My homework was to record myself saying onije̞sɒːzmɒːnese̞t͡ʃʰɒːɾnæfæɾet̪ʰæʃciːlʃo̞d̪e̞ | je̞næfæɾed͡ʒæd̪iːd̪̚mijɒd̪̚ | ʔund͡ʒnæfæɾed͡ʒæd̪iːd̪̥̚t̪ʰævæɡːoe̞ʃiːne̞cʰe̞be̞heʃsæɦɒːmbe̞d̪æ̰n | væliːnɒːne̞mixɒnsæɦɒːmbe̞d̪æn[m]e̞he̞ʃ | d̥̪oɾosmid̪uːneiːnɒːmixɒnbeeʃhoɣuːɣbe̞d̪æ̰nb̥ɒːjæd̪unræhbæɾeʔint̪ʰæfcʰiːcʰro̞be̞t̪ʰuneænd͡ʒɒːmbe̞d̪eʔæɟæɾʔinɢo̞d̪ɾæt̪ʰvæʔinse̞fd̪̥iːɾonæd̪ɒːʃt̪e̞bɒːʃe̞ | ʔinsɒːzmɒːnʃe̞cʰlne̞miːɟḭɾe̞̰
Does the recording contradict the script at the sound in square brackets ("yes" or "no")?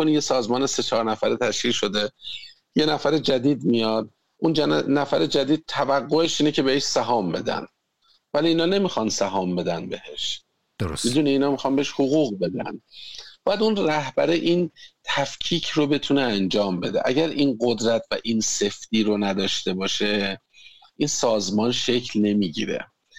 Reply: yes